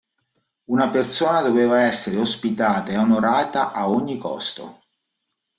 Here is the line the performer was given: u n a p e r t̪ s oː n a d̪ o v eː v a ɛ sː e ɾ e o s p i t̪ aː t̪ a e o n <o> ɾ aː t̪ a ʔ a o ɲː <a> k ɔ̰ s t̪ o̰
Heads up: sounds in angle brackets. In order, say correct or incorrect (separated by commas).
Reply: correct, incorrect